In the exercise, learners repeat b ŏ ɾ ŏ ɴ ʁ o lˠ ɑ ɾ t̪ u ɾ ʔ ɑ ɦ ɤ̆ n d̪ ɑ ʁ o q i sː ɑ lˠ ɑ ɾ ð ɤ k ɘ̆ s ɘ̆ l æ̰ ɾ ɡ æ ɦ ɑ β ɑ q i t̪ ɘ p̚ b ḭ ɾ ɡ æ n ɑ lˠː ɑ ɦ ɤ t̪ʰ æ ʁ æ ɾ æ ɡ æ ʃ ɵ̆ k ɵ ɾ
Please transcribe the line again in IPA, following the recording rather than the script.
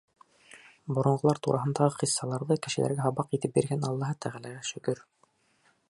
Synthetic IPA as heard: b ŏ ɾ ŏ ɴ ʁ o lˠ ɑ ɾ t̪ u ɾ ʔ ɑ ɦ ɤ̆ n d̪ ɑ ʁ ɤ q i sː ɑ lˠ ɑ ɾ ð ɤ k ɘ̆ ʃ ɘ̆ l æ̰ ɾ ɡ æ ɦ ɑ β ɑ q i t̪ ɘ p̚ b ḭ ɾ ɡ æ n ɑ lˠː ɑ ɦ ɤ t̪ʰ æ ʁ æ l æ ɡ æ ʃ ɵ̆ k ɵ ɾ